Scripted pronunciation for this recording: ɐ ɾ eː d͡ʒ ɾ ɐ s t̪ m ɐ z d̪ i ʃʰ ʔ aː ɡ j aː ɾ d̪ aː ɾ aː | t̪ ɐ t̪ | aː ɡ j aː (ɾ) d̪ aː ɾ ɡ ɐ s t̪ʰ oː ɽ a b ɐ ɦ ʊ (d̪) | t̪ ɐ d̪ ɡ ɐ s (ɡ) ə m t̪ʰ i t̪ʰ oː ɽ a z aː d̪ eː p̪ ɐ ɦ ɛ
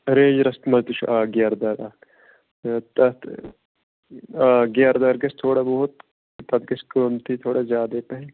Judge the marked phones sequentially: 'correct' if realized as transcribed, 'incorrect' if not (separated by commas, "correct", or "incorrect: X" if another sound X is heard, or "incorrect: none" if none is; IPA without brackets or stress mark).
correct, incorrect: t̪, incorrect: k